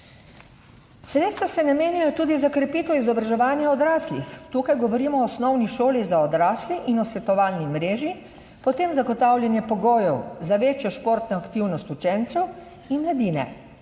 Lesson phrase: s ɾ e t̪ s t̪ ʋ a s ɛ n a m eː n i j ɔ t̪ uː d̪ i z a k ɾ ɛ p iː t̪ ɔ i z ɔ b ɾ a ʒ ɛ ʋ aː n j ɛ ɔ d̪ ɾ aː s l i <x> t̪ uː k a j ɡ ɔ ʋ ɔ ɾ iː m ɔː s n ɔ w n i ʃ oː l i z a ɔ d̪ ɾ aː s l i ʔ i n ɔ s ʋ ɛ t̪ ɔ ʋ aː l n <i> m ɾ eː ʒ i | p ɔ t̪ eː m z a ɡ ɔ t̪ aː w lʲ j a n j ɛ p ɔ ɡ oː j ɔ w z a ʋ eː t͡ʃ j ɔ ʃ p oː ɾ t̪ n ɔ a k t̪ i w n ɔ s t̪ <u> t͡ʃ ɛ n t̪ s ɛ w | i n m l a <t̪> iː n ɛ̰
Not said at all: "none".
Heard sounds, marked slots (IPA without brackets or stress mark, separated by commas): x, i, u, d̪